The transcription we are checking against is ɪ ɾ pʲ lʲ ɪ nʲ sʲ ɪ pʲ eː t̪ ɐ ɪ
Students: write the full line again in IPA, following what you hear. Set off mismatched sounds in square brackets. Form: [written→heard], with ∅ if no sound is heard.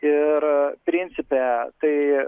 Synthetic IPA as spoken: ɪ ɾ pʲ [lʲ→ɾʲ] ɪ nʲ sʲ ɪ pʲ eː t̪ ɐ ɪ

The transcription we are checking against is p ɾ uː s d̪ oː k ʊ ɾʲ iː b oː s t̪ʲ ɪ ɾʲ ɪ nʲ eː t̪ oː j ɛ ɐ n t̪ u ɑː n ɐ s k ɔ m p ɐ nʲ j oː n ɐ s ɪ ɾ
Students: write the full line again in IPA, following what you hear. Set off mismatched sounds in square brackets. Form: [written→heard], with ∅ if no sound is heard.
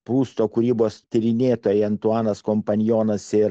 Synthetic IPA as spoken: p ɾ uː s [d̪→t̪] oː k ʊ ɾʲ iː b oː s t̪ʲ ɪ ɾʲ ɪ nʲ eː t̪ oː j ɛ ɐ n t̪ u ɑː n ɐ s k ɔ m p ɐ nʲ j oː n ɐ s ɪ ɾ

